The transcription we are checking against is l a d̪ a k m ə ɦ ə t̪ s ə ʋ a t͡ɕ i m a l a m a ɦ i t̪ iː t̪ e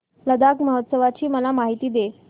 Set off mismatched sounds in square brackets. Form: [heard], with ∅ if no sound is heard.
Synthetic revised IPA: l [ə] d̪ a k m ə ɦ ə t̪ s ə ʋ a t͡ɕ [iː] m [ə] l a m a ɦ i t̪ iː [d̪] e